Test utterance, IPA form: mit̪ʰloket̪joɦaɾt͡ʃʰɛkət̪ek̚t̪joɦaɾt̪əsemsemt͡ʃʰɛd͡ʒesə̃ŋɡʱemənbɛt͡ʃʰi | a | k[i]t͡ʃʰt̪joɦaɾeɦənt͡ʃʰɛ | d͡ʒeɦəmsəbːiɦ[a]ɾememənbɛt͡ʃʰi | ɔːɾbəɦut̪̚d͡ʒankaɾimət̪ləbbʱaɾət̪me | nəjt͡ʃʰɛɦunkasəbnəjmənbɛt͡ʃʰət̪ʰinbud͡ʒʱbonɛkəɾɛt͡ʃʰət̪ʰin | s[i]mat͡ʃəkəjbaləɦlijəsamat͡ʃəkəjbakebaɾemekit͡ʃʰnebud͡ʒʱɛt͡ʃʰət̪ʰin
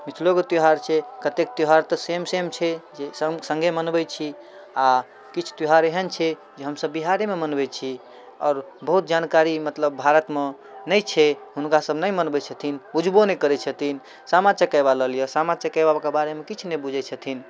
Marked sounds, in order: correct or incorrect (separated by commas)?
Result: correct, correct, incorrect